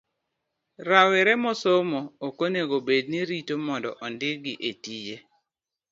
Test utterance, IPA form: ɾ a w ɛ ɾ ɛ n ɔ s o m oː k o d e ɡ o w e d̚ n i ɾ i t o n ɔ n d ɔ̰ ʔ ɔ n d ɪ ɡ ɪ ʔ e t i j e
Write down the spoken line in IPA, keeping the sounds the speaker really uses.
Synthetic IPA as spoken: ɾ a w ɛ ɾ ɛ m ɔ s o m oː k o n e ɡ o b e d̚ n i ɾ i t o m ɔ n d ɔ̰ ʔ ɔ n d ɪ ɡ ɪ ʔ e t i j e